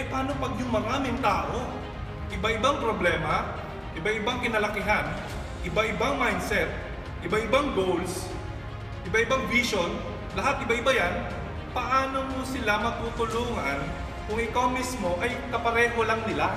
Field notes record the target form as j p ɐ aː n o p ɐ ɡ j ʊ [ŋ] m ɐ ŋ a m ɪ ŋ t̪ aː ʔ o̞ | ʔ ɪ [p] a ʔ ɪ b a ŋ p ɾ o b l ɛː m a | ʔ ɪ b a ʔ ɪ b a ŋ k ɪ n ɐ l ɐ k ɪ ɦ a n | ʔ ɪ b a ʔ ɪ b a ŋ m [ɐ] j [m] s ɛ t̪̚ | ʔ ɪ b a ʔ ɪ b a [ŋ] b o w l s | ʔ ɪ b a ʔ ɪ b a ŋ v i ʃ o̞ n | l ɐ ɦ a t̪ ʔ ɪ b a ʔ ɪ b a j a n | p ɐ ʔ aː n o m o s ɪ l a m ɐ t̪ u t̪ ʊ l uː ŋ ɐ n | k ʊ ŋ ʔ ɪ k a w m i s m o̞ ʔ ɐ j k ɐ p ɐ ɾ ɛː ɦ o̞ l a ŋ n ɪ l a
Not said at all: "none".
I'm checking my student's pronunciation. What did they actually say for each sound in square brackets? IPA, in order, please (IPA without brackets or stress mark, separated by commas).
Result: ŋ, b, a, n, ŋ